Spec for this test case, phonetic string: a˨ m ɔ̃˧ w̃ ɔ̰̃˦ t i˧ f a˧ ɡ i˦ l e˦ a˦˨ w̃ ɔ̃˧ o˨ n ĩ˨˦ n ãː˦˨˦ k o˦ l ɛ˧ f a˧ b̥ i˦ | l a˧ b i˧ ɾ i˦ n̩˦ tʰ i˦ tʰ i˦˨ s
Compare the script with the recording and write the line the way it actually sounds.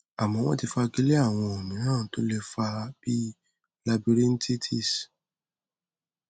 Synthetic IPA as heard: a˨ m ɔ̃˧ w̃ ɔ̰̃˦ t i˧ f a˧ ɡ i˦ l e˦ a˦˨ w̃ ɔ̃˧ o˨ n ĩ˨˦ n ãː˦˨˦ t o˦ l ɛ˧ f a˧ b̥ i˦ | l a˧ b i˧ ɾ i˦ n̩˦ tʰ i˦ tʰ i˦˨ s